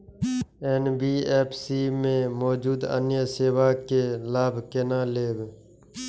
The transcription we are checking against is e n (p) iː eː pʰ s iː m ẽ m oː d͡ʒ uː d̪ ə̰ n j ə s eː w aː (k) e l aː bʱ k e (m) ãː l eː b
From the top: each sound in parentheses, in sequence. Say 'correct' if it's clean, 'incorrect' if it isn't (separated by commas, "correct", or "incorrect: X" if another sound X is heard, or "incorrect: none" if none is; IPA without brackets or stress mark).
incorrect: b, correct, incorrect: n